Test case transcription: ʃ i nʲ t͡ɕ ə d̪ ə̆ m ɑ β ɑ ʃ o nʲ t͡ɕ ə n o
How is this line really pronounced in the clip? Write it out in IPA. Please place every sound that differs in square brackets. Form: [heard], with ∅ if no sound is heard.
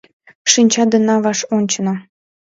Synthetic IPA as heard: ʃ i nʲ t͡ɕ [ɑ] d̪ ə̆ [n] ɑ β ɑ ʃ o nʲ t͡ɕ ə n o